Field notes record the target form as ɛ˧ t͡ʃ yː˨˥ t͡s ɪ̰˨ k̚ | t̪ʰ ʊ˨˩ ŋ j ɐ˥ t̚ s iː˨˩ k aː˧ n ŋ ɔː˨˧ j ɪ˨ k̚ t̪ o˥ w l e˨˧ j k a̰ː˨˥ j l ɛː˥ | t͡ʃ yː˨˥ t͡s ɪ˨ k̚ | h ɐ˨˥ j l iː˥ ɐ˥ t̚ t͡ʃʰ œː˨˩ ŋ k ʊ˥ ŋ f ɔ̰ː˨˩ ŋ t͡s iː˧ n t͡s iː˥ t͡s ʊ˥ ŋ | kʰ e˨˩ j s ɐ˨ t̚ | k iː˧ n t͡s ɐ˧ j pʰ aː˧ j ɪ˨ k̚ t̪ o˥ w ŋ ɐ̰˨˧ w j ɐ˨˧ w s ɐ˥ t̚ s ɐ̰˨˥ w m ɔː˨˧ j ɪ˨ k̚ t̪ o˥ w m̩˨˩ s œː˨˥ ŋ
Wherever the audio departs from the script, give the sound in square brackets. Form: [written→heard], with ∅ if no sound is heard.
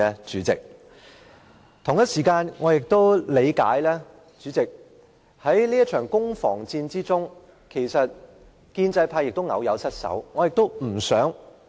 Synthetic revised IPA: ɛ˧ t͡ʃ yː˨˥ t͡s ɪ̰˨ k̚ | t̪ʰ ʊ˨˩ ŋ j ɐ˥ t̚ s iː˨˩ k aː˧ n ŋ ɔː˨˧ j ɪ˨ k̚ t̪ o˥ w l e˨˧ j k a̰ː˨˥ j l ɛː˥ | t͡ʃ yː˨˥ t͡s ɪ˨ k̚ | h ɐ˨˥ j l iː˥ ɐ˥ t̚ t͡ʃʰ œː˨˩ ŋ k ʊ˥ ŋ f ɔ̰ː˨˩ ŋ t͡s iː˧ n t͡s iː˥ t͡s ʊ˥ ŋ | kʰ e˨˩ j s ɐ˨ t̚ | k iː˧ n t͡s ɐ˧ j pʰ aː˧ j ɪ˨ k̚ t̪ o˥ w ŋ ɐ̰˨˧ w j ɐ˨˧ w s ɐ˥ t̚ s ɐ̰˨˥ w [m→ŋ] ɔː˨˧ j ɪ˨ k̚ t̪ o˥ w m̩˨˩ s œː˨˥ ŋ